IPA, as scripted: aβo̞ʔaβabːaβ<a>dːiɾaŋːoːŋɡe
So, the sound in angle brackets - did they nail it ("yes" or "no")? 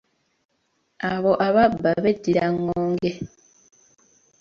no